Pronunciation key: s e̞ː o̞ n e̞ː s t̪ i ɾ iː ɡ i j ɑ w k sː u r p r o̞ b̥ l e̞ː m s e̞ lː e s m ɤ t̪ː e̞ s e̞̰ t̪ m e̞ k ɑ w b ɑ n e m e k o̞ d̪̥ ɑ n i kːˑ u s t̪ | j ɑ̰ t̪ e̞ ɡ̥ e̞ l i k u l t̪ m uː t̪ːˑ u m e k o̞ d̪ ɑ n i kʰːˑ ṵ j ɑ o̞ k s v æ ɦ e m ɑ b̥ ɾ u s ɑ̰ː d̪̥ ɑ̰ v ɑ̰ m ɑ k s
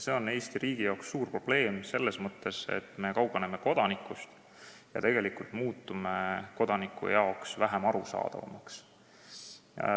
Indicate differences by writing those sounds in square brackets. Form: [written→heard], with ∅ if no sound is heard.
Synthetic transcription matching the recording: s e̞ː o̞ n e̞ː s t̪ i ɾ iː ɡ i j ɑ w k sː [u→uː] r p r o̞ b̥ l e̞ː m s e̞ lː e s m ɤ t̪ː e̞ s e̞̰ t̪ m e̞ k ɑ w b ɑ n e m e k o̞ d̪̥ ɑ n i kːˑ u s t̪ | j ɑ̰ t̪ e̞ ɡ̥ e̞ l i k u l t̪ m uː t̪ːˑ u m e k o̞ d̪ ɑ n i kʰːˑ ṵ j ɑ o̞ k s v æ ɦ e m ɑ [b̥→∅] ɾ u s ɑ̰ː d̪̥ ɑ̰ v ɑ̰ m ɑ k s